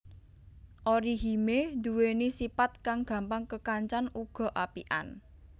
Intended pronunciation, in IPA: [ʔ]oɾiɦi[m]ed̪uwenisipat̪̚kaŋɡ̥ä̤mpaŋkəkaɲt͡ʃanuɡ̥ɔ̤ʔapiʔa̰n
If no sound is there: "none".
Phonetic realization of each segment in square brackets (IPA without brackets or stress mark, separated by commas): ʔ, m